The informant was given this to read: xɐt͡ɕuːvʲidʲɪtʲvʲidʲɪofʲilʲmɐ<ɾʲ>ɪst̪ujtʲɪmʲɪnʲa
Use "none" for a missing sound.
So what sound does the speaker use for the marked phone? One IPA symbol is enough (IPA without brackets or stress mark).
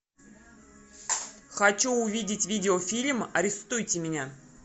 ɾʲ